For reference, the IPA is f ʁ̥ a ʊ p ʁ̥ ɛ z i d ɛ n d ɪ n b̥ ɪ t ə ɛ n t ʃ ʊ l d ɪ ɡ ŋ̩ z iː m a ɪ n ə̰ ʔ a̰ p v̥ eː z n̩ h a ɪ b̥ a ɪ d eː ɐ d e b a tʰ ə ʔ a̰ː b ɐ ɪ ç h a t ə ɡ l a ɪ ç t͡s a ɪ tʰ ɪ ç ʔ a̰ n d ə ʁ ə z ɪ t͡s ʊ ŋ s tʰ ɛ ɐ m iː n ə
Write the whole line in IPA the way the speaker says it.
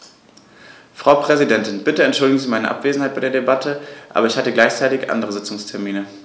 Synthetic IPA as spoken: f ʁ̥ a ʊ p ʁ̥ ɛ z i d ɛ n t ɪ n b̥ ɪ t ə ɛ n t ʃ ʊ l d ɪ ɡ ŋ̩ z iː m a ɪ n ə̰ ʔ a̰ p v̥ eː z n̩ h a ɪ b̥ a ɪ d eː ɐ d e b a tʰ ə ʔ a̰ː b ɐ ɪ ç h a t ə ɡ l a ɪ ç t͡s a ɪ t ɪ ç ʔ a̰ n d ə ʁ ə z ɪ t͡s ʊ ŋ s tʰ ɛ ɐ m iː n ə